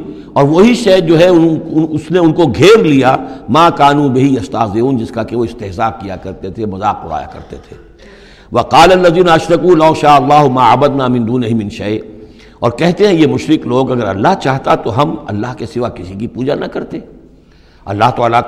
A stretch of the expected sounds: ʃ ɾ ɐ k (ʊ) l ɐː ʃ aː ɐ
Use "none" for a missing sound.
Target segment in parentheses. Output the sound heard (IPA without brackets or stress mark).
u